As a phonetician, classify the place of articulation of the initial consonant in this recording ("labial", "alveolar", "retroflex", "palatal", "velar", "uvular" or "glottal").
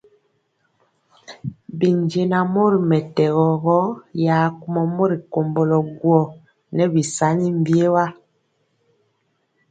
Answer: labial